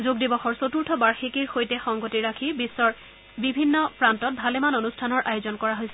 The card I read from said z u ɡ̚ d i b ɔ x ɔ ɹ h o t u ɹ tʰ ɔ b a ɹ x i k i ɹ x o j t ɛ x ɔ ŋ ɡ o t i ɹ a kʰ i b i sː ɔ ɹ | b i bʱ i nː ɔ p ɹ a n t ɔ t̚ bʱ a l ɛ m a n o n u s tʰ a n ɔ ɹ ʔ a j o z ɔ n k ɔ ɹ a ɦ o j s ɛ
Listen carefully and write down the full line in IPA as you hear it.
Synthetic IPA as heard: z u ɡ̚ d i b ɔ x ɔ ɹ s o t u ɹ tʰ ɔ b a ɹ x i k i ɹ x o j t ɛ x ɔ ŋ ɡ o t i ɹ a kʰ i b i sː ɔ ɹ | b i bʱ i nː ɔ p ɹ a n t ɔ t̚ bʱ a l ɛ m a n o n u s tʰ a n ɔ ɹ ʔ a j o z ɔ n k ɔ ɹ a ɦ o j s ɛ